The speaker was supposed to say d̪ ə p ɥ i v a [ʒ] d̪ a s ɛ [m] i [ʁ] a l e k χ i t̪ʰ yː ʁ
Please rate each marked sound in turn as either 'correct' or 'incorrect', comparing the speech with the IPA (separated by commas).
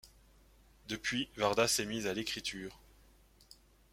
incorrect, correct, incorrect